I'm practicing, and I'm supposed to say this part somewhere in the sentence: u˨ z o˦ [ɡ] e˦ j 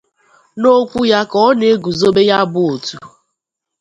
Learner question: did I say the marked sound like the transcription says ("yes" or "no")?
no